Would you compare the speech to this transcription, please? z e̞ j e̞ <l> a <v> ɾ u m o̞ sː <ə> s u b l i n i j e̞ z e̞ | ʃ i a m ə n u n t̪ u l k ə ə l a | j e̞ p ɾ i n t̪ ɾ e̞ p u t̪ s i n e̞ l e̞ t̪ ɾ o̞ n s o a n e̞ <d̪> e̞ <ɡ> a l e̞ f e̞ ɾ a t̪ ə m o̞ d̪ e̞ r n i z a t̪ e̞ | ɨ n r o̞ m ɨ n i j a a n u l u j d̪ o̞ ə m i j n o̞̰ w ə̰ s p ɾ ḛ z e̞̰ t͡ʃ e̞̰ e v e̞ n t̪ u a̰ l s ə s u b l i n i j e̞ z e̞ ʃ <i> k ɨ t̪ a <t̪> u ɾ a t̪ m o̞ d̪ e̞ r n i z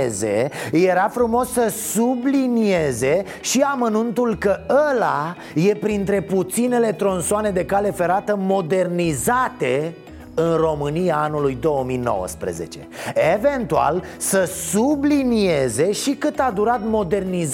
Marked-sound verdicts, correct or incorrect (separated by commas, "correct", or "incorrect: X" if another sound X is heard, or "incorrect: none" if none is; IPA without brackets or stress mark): incorrect: ɾ, incorrect: f, correct, correct, incorrect: k, correct, incorrect: d̪